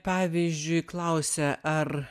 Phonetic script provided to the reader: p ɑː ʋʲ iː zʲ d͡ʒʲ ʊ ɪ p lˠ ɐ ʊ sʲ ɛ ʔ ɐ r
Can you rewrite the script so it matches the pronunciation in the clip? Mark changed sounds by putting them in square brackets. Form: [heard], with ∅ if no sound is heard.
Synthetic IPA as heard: p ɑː ʋʲ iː zʲ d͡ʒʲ ʊ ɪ [k] lˠ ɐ ʊ sʲ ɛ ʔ ɐ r